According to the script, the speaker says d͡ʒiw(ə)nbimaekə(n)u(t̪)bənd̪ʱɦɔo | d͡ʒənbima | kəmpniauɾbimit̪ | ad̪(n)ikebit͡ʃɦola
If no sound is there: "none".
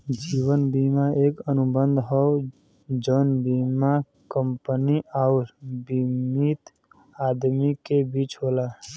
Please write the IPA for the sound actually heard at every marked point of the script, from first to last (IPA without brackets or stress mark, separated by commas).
ə, n, none, m